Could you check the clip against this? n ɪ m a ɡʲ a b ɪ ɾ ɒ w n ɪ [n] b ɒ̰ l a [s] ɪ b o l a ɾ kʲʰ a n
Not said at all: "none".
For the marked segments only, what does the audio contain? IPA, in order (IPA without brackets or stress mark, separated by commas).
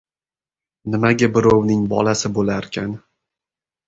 ŋ, s